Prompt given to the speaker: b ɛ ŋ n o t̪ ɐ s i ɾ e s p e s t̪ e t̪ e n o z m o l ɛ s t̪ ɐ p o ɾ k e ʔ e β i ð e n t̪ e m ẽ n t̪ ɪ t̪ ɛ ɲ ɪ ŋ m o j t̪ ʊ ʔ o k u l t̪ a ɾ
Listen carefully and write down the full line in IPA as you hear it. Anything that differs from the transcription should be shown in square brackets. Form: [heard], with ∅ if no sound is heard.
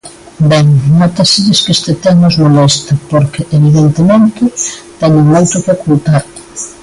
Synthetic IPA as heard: b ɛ ŋ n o t̪ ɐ s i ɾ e s [k] e s t̪ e t̪ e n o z m o l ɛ s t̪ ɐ p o ɾ k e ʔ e β i ð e n t̪ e m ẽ n t̪ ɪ t̪ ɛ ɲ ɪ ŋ m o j t̪ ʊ [k] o k u l t̪ a ɾ